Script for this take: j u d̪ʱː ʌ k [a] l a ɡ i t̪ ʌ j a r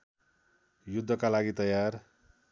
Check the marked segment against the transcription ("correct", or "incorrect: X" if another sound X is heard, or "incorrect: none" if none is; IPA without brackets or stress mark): correct